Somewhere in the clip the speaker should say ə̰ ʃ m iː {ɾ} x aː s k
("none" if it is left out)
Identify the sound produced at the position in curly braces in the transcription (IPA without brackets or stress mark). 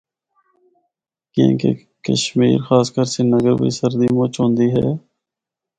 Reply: ɾ